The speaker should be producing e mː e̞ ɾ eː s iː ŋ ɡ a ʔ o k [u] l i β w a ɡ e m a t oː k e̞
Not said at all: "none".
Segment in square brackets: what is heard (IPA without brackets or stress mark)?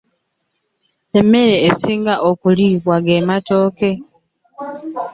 u